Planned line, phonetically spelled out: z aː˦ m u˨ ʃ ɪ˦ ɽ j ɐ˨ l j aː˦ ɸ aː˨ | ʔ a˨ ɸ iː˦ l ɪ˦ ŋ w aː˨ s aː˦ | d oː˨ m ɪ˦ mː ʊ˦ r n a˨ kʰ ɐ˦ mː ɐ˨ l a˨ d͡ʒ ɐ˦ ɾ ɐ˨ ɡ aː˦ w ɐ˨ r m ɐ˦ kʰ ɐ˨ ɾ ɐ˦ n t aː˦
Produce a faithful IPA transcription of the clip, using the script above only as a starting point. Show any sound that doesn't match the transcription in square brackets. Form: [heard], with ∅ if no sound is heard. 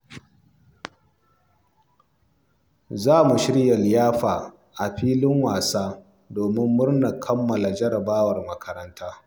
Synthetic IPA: z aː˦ m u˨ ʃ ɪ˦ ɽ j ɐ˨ l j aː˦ ɸ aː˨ | ʔ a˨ ɸ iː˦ l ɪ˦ ŋ w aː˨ s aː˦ | d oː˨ m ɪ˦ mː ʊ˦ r n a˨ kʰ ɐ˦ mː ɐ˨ l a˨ d͡ʒ ɐ˦ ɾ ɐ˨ [b] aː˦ w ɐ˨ r m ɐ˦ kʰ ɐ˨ ɾ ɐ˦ n t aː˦